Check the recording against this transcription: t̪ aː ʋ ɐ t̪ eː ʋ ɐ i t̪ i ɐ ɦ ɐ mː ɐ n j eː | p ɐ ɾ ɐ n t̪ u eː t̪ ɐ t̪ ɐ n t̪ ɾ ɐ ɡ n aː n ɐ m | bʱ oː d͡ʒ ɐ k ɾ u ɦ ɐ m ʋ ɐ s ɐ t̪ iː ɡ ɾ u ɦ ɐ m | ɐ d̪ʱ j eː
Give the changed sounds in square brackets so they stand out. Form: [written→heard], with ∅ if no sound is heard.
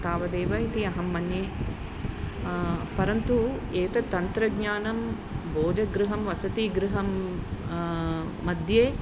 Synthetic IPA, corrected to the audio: t̪ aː ʋ ɐ [t̪→d̪] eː ʋ ɐ i t̪ i ɐ ɦ ɐ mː ɐ n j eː | p ɐ ɾ ɐ n t̪ u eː t̪ ɐ t̪ ɐ n t̪ ɾ ɐ ɡ [n→ɲ] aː n ɐ m | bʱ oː d͡ʒ ɐ [k→ɡ] ɾ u ɦ ɐ m ʋ ɐ s ɐ t̪ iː ɡ ɾ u ɦ ɐ m | ɐ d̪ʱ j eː